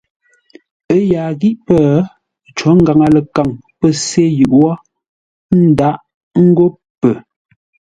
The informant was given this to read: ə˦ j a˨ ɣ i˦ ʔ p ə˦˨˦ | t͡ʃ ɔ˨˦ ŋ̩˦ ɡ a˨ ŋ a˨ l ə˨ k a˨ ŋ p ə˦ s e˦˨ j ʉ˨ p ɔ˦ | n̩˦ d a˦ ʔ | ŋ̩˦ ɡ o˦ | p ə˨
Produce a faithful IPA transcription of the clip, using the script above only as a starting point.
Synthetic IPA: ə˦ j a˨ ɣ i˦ ʔ p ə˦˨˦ | t͡ʃ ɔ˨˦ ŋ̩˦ ɡ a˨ ŋ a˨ l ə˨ k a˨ ŋ p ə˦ s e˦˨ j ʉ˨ ʔ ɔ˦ | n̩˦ d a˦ ʔ | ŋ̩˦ ɡ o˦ | p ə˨